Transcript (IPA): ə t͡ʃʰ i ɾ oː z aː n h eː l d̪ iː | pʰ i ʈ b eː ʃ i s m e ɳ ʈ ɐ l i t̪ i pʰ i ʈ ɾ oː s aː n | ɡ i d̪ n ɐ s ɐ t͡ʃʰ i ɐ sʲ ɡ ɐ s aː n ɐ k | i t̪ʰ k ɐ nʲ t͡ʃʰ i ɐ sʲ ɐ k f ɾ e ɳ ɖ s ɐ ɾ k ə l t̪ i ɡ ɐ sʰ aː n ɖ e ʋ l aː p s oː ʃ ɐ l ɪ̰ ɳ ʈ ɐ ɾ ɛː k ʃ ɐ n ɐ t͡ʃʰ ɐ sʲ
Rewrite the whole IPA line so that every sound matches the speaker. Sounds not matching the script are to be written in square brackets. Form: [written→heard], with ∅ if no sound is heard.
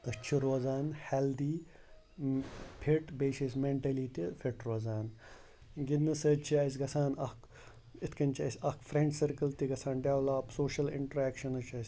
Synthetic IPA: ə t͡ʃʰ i ɾ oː z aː n h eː l d̪ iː | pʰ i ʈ b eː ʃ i s m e ɳ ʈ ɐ l i t̪ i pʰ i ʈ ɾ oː [s→z] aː n | ɡ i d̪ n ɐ s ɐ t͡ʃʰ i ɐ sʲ ɡ ɐ s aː n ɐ k | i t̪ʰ k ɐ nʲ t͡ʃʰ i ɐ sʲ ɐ k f ɾ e ɳ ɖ s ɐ ɾ k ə l t̪ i ɡ ɐ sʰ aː n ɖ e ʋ l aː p s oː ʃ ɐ l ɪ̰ ɳ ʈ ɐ ɾ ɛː k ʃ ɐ n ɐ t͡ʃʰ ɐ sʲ

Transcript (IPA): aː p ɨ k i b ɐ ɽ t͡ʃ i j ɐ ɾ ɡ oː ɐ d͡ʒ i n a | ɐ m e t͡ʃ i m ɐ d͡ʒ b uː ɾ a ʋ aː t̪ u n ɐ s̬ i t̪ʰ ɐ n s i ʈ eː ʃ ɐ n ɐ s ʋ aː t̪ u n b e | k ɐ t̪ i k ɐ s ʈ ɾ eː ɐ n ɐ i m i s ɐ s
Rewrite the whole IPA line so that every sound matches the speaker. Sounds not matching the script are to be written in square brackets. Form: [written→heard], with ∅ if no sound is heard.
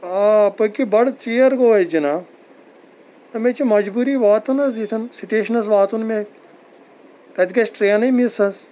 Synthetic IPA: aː p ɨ k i b ɐ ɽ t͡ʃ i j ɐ ɾ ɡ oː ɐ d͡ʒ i n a | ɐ m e t͡ʃ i m ɐ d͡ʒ b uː ɾ [a→i] ʋ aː t̪ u n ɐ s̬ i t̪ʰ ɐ n s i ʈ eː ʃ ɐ n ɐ s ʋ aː t̪ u n [b→m] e | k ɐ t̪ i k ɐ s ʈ ɾ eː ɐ n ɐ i m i s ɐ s

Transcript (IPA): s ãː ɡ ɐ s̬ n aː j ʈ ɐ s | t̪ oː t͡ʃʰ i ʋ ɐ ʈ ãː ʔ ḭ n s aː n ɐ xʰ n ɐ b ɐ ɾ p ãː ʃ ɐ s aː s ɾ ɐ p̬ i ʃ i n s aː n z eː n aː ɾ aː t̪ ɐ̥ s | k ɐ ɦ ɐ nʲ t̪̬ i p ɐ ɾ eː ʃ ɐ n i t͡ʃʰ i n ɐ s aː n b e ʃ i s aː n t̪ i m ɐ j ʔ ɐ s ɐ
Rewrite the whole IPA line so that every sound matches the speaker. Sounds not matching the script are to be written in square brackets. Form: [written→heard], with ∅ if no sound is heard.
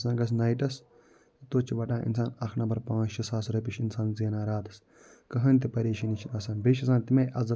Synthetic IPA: s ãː ɡ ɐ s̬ n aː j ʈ ɐ s | t̪ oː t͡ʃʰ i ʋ ɐ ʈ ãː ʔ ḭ n s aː n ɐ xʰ n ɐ b ɐ ɾ p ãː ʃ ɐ s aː s ɾ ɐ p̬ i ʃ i n s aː n z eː n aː ɾ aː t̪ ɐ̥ s | k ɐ ɦ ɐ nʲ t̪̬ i p ɐ ɾ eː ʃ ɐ n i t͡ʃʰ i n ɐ s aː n b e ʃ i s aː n t̪ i m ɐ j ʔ ɐ [s→z] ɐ

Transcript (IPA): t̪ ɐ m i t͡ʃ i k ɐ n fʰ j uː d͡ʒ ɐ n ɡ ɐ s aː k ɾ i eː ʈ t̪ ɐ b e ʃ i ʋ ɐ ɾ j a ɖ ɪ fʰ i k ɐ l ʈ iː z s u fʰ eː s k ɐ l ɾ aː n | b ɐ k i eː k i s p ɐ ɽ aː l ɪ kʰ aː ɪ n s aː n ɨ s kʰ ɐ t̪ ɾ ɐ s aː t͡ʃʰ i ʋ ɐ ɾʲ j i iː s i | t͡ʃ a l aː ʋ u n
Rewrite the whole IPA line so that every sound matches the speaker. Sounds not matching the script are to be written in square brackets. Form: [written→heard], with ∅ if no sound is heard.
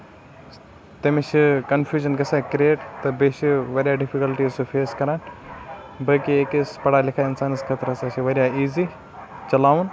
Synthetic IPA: t̪ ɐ m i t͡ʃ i k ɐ n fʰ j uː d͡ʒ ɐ n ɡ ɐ s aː k ɾ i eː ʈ t̪ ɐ b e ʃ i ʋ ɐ ɾ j a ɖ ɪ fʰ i k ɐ l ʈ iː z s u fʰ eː s k ɐ [l→∅] ɾ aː n | b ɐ k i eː k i s p ɐ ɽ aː l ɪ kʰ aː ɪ n s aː n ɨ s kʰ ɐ t̪ ɾ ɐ s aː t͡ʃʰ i ʋ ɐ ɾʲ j [i→a] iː [s→z] i | t͡ʃ [a→ɐ] l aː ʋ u n

